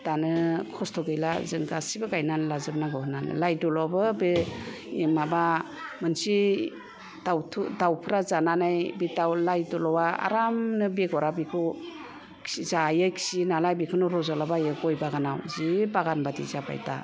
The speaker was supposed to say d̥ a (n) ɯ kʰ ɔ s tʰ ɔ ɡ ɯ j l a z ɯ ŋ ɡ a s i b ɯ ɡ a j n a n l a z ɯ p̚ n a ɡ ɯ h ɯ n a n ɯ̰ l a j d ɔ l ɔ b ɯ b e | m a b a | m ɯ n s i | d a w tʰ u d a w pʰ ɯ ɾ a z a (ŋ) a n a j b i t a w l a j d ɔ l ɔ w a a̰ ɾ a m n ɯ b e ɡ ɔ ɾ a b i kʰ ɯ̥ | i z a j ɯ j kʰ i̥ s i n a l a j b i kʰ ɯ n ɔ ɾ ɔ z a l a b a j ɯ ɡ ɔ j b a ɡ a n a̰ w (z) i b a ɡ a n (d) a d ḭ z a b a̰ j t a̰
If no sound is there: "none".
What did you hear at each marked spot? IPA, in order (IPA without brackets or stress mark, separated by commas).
n, n, z, b